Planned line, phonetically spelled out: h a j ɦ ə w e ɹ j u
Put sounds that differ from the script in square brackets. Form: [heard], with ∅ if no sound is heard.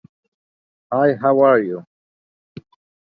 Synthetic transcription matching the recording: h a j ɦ [a] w [a] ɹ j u